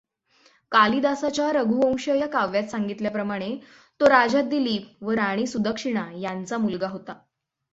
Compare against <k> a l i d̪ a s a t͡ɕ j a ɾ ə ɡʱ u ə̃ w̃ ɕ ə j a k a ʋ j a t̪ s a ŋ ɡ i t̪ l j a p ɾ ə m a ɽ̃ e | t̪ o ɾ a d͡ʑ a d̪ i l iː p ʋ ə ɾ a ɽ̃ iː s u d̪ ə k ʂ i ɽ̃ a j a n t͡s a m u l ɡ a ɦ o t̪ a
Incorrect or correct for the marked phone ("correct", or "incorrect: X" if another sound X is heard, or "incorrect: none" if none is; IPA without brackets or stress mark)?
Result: correct